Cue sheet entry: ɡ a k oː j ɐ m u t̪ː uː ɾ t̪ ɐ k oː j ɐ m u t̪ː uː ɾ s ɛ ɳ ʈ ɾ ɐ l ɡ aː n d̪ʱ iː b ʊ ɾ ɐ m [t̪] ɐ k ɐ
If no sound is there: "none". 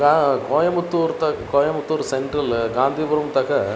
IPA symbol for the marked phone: t̪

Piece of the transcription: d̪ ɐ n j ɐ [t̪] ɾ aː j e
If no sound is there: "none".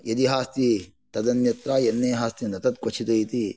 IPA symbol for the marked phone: t̪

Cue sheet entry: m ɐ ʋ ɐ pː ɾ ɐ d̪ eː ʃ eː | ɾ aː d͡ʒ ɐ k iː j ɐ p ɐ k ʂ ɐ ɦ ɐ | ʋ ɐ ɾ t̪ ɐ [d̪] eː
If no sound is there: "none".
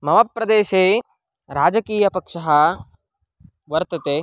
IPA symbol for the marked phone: t̪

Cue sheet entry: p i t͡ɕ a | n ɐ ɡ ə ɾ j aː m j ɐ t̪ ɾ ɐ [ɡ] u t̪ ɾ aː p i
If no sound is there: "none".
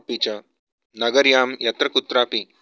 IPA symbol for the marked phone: k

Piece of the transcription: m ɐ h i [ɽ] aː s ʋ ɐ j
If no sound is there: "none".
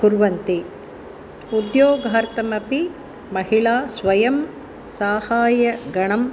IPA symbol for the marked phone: ɭ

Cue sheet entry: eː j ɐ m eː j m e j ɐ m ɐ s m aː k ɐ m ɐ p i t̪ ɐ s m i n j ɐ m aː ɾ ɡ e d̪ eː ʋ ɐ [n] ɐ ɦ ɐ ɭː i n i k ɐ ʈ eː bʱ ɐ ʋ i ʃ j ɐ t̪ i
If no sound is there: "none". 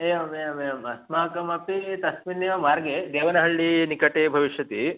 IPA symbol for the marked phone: n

